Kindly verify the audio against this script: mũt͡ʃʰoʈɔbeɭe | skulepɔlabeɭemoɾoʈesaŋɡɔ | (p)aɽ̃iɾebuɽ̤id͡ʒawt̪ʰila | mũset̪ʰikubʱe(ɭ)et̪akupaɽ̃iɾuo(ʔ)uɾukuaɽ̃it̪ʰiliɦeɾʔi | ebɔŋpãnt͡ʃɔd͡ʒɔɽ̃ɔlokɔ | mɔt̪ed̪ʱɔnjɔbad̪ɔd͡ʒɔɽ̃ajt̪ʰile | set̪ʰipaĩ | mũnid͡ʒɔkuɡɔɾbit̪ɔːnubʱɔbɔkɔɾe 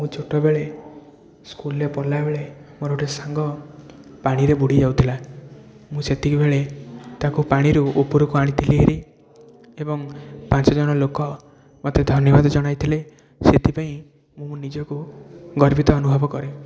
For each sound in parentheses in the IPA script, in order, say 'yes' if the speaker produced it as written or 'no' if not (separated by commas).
yes, yes, no